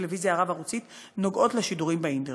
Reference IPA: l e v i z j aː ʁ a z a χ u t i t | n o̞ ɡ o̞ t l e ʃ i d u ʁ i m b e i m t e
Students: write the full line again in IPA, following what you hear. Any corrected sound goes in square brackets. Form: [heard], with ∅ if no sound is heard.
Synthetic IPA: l e v i z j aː ʁ a [v] a [ʁ] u [t͡s] i t | n o̞ ɡ o̞ t l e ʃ i d u ʁ i m b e i [n] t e